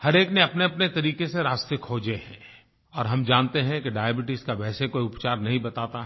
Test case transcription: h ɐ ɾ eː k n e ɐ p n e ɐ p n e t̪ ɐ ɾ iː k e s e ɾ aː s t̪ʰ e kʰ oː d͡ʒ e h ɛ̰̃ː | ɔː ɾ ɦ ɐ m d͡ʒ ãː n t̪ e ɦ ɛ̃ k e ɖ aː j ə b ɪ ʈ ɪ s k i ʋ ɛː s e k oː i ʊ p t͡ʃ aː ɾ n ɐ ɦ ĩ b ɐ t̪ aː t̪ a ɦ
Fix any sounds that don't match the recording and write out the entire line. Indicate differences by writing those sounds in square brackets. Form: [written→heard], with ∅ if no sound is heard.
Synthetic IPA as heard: h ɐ ɾ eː k n e ɐ p n e ɐ p n e t̪ ɐ ɾ iː k e s e ɾ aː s [t̪ʰ→t̪] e kʰ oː d͡ʒ e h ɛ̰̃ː | ɔː ɾ ɦ ɐ m d͡ʒ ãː n t̪ e ɦ ɛ̃ k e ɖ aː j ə b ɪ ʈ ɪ s k [i→a] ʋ ɛː s e k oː i ʊ p t͡ʃ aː ɾ n ɐ ɦ ĩ b ɐ t̪ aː t̪ a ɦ

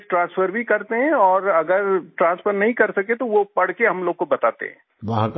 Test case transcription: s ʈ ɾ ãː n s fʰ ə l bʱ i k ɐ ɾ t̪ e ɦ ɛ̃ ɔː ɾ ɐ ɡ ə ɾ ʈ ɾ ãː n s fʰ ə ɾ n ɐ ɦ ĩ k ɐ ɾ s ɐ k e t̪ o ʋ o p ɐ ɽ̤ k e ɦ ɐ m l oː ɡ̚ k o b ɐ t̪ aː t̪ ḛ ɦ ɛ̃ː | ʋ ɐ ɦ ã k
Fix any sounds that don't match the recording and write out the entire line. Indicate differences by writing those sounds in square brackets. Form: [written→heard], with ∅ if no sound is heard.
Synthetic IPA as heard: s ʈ ɾ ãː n s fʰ ə [l→ɾ] bʱ i k ɐ ɾ t̪ e ɦ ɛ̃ ɔː ɾ ɐ ɡ ə ɾ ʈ ɾ ãː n s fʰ ə ɾ n ɐ ɦ ĩ k ɐ ɾ s ɐ k e t̪ o ʋ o p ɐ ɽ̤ k e ɦ ɐ m l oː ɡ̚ k o b ɐ t̪ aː t̪ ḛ ɦ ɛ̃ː | ʋ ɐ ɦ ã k

